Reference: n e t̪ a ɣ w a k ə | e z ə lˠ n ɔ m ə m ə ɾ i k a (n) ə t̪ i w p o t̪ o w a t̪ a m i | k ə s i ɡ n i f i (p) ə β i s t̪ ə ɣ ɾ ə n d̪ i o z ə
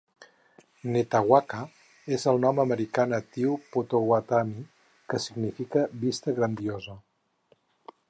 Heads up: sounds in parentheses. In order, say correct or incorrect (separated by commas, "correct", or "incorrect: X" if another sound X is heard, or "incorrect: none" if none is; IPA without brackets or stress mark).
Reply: correct, incorrect: k